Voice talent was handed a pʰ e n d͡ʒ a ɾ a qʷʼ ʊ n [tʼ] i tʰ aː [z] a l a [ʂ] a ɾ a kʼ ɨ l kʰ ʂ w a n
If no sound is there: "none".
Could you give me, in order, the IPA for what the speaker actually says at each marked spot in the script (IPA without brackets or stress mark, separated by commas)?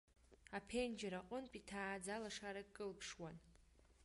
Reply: pʼ, d͡z, ʂ